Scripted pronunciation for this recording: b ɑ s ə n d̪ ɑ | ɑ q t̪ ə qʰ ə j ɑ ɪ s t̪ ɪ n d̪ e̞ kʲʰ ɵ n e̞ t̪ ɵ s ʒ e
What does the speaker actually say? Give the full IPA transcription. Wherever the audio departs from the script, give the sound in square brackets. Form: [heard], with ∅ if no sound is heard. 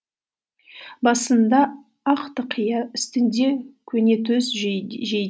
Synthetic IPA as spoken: b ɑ s ə n d̪ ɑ | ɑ q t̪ ə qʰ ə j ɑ ɪ s t̪ ɪ n d̪ e̞ kʲʰ ɵ n e̞ t̪ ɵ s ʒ e

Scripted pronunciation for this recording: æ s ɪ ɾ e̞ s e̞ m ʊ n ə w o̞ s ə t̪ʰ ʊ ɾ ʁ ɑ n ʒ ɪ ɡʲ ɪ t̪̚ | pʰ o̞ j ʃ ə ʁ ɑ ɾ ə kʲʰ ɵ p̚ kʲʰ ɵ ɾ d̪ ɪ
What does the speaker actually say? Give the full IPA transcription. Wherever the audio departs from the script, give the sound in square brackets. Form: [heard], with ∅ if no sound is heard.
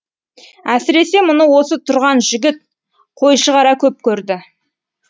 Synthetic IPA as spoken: æ s ɪ ɾ e̞ s e̞ m ʊ n ə w o̞ s ə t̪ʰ ʊ ɾ ʁ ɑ n ʒ ɪ ɡʲ ɪ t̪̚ | [qʰ] o̞ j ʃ ə ʁ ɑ ɾ [ɑ] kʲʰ ɵ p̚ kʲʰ ɵ ɾ d̪ ɪ

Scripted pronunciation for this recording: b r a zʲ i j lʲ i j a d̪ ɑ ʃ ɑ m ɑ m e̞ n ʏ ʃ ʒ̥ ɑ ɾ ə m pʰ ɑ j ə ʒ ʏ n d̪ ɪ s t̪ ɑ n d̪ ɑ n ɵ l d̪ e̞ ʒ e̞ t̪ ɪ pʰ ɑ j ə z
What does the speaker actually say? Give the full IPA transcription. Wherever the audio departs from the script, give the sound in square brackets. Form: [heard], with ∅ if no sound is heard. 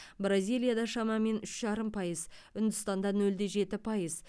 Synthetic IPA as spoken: b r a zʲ i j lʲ i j a d̪ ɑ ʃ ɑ m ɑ m e̞ n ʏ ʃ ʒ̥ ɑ ɾ ə m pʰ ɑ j ə [z] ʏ n d̪ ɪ s t̪ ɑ n d̪ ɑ n ɵ l d̪ e̞ ʒ e̞ t̪ ɪ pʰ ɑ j ə z

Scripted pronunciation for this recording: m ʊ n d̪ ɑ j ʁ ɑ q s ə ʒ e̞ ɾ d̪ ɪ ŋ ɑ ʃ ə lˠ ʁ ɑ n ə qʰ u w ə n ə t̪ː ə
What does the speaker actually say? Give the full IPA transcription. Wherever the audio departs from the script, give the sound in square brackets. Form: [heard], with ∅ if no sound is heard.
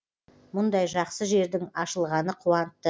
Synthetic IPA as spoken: m ʊ n d̪ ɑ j [ʒ] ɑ q s ə ʒ e̞ ɾ d̪ ɪ ŋ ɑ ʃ ə lˠ ʁ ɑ n ə qʰ u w [ɑ] n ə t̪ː ə

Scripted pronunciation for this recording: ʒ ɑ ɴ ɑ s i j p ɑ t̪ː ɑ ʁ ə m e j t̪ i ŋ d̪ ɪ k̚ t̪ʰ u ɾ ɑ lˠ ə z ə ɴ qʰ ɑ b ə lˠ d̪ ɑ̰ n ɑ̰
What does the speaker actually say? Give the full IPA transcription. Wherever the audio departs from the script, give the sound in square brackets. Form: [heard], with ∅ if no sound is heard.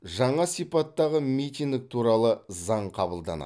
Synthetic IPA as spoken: ʒ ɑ ɴ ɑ s i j p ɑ t̪ː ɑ ʁ ə m [i] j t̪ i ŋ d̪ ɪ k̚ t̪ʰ u ɾ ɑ lˠ ə z [ɑ] ɴ qʰ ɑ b ə lˠ d̪ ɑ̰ n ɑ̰

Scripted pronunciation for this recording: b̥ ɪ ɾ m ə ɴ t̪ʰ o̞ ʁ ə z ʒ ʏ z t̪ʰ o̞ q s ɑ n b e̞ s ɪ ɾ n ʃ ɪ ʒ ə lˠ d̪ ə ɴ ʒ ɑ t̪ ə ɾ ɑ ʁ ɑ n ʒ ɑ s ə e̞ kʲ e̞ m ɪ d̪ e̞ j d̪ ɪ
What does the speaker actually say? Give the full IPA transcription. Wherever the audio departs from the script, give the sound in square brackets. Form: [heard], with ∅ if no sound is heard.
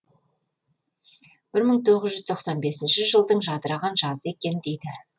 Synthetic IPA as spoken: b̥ ɪ ɾ m ə ɴ t̪ʰ o̞ ʁ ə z ʒ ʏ z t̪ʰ o̞ q s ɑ n b e̞ s ɪ [∅] n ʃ ɪ ʒ ə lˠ d̪ ə ɴ ʒ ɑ [d̪] ə ɾ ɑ ʁ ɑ n ʒ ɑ [z] ə e̞ kʲ e̞ [n] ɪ d̪ e̞ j d̪ ɪ

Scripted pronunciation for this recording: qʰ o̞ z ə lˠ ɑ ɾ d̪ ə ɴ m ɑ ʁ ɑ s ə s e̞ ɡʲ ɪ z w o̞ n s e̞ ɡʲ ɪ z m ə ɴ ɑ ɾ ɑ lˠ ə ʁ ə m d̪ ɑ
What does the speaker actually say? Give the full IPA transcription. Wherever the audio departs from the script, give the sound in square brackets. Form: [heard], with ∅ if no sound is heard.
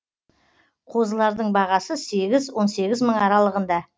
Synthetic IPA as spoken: qʰ o̞ z ə lˠ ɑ ɾ d̪ ə ɴ [b] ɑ ʁ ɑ s ə s e̞ ɡʲ ɪ z w o̞ n s e̞ ɡʲ ɪ z m ə ɴ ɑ ɾ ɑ lˠ ə ʁ ə [n] d̪ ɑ

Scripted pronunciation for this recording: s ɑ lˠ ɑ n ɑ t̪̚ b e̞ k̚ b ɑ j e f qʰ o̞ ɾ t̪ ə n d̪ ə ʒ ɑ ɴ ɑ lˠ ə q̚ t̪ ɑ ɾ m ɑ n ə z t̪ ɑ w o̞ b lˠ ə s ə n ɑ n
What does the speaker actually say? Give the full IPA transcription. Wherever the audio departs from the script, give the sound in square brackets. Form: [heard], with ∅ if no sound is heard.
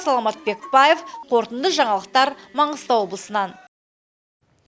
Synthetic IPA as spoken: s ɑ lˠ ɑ [m] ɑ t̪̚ b e̞ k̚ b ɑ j e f qʰ o̞ ɾ t̪ ə n d̪ ə ʒ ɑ ɴ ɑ lˠ ə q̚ t̪ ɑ ɾ m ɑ [ɴ] ə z t̪ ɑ w o̞ b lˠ ə s ə n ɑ n

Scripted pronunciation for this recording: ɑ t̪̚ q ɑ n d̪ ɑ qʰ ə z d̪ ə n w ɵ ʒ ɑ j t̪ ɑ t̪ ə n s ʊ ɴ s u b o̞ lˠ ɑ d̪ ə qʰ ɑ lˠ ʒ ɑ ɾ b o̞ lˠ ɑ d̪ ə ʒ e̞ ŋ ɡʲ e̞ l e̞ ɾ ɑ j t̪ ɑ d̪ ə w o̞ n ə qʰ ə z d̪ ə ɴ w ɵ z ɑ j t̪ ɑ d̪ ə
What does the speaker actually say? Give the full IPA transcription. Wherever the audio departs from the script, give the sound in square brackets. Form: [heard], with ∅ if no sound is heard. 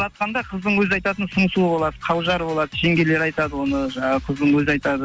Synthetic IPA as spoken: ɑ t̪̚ q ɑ n d̪ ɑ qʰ ə z d̪ ə [ɴ] w ɵ [z] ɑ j t̪ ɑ t̪ ə n s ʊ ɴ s u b o̞ lˠ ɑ d̪ ə qʰ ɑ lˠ ʒ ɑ ɾ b o̞ lˠ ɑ d̪ ə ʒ e̞ ŋ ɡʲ e̞ l e̞ ɾ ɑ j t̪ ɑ d̪ ə w o̞ n ə qʰ ə z d̪ ə ɴ w ɵ z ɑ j t̪ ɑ d̪ ə

